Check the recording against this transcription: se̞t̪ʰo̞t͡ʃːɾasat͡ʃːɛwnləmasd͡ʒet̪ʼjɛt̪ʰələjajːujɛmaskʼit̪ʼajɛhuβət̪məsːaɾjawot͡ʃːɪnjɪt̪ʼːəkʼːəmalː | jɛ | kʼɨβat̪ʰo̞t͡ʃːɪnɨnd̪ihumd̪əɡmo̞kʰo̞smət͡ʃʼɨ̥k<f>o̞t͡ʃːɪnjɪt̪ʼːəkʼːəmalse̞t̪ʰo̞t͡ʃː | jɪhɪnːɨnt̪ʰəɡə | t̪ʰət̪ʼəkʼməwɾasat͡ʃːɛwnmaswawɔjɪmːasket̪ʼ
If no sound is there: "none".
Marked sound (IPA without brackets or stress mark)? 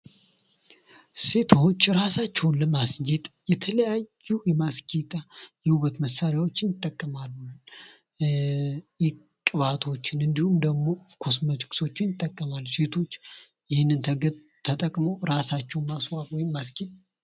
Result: s